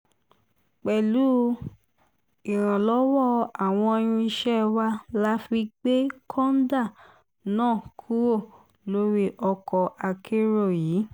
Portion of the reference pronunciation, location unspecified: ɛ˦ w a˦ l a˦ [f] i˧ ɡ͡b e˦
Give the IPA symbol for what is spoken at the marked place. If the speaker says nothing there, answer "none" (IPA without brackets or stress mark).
f